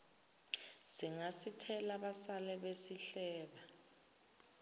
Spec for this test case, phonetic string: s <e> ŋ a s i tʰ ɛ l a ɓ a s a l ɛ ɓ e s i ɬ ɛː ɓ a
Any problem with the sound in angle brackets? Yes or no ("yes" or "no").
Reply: yes